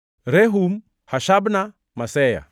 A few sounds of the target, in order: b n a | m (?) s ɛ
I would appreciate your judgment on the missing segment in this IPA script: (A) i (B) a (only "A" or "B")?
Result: B